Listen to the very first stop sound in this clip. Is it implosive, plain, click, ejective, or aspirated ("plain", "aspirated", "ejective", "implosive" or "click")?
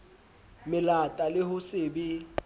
ejective